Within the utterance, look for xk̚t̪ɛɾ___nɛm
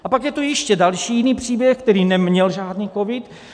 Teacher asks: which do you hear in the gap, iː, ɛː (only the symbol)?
iː